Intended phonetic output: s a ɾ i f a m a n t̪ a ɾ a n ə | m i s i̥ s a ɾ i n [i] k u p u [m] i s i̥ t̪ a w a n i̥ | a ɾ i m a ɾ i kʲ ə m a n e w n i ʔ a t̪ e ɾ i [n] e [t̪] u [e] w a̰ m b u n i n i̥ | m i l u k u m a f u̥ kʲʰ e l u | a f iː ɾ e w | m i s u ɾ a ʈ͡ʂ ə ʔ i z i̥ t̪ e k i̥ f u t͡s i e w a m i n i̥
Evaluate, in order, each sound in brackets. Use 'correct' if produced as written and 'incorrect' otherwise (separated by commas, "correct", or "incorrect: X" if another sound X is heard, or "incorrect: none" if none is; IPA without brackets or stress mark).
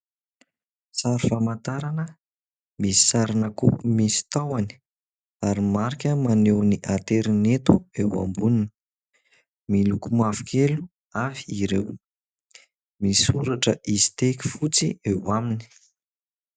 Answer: incorrect: a, correct, correct, correct, correct